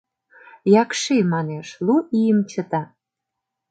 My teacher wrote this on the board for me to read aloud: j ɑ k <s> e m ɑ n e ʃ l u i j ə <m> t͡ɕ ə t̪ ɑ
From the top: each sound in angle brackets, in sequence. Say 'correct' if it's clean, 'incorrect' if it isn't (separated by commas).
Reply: incorrect, correct